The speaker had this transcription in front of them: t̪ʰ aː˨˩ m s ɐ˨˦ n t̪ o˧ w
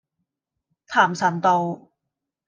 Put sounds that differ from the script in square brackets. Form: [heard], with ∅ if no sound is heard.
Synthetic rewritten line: t̪ʰ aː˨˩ m s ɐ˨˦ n t̪ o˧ w